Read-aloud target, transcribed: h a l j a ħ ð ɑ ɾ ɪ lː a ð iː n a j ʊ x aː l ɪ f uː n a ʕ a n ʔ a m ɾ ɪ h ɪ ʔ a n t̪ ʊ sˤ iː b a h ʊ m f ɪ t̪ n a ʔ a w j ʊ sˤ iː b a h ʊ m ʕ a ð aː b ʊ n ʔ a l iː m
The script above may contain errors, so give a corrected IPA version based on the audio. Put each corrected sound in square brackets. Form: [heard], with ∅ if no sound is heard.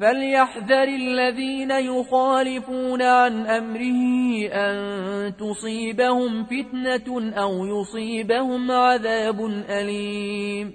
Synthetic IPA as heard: [f] a l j a ħ ð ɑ ɾ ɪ lː a ð iː n a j ʊ x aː l ɪ f uː n a ʕ a n ʔ a m ɾ ɪ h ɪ ʔ a n t̪ ʊ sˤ iː b a h ʊ m f ɪ t̪ n a ʔ a w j ʊ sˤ iː b a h ʊ m ʕ a ð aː b ʊ n ʔ a l iː m